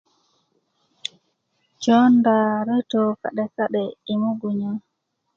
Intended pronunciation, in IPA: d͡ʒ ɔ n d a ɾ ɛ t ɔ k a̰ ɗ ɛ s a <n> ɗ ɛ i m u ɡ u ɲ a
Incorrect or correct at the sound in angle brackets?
incorrect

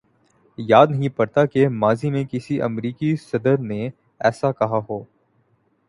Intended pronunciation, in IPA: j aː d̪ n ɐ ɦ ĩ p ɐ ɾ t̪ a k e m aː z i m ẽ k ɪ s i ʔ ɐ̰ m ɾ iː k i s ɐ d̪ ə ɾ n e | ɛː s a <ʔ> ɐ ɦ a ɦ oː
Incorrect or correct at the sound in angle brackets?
incorrect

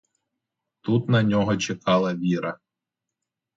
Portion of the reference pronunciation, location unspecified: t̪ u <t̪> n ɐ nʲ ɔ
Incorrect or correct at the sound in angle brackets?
correct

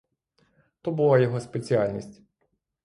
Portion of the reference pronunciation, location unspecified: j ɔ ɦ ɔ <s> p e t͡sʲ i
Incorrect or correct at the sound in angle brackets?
correct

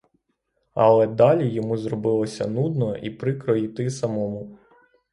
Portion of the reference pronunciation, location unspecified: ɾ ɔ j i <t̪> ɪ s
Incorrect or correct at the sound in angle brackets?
correct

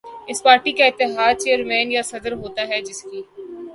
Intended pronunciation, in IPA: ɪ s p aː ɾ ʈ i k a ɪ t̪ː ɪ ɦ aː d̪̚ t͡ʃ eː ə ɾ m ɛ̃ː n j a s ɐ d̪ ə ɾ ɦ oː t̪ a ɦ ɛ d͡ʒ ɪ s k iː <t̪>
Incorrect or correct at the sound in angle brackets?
incorrect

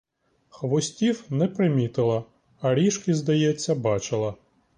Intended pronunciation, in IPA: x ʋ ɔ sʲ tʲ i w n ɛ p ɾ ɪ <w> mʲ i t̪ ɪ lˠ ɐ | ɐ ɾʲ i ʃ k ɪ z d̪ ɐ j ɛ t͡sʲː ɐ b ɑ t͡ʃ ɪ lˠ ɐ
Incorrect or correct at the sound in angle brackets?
incorrect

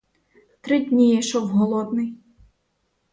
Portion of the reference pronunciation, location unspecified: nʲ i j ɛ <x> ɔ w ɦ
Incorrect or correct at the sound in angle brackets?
incorrect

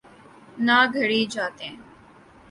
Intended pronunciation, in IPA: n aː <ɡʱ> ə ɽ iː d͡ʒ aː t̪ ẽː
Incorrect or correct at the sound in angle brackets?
correct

